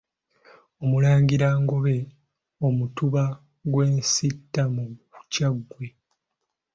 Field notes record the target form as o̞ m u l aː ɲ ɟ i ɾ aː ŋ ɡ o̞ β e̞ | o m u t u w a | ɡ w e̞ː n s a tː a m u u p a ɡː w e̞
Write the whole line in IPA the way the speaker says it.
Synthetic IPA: o̞ m u l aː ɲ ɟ i ɾ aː ŋ ɡ o̞ β e̞ | o m u t u β a | ɡ w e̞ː n s i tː a m u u c a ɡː w e̞